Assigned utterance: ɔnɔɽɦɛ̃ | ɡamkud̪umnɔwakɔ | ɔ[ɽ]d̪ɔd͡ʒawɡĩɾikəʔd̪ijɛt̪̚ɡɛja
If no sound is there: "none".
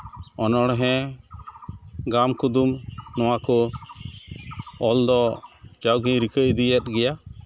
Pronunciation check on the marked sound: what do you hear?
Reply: l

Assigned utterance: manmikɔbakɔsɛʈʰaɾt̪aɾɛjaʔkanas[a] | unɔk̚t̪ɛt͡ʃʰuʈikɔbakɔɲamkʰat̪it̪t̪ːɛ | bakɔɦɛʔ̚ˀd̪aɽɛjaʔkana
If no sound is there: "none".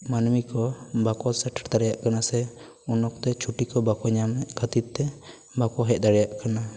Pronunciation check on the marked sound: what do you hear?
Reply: ɛ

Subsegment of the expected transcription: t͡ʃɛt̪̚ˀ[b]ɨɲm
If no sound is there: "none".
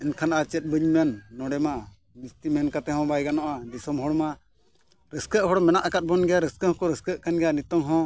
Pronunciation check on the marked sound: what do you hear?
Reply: b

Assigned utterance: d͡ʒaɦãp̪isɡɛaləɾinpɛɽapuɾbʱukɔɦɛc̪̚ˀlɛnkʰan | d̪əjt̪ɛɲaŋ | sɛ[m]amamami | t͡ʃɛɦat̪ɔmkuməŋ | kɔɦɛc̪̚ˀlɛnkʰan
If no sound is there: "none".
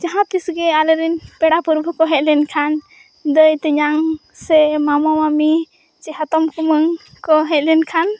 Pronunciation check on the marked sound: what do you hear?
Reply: m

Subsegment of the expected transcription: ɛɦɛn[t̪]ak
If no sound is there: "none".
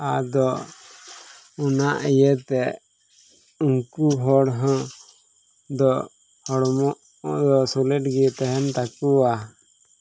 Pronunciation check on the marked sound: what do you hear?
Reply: t̪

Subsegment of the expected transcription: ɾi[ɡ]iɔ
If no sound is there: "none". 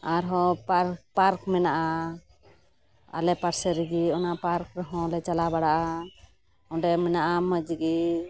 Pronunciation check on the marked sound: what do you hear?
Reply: ɡ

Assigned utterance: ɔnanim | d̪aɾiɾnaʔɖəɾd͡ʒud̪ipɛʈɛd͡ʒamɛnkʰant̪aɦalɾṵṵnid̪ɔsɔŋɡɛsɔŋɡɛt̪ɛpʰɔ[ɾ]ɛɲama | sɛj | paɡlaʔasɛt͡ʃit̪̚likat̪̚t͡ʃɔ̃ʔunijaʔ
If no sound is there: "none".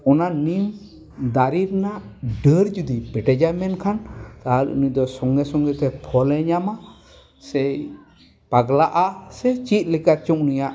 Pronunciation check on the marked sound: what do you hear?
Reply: l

